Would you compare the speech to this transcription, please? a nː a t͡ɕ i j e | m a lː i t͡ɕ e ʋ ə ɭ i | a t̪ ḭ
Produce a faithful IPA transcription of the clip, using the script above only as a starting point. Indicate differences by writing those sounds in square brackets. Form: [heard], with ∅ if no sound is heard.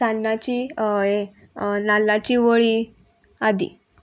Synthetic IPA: a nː a t͡ɕ i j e | [n] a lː [a] t͡ɕ [i] ʋ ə ɭ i | a [d̪] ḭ